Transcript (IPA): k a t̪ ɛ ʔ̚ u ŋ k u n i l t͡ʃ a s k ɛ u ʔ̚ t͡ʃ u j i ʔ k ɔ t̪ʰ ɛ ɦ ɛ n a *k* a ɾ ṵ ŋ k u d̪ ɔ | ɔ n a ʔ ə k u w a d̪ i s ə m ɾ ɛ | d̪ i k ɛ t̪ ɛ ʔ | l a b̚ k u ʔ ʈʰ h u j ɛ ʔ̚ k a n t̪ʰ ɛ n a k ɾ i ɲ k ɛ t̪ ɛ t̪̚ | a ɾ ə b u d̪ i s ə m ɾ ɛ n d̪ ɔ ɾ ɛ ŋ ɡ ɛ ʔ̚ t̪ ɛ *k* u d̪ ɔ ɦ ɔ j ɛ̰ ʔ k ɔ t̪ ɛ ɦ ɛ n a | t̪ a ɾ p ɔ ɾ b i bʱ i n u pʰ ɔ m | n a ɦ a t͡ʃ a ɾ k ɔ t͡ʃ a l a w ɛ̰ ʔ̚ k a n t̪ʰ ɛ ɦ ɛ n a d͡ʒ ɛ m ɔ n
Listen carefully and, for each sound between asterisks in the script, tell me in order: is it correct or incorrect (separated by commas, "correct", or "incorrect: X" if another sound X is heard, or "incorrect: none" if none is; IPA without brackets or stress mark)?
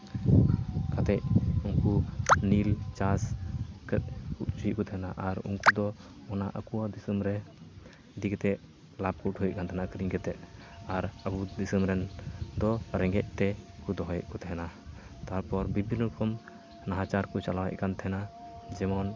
incorrect: ʔ, correct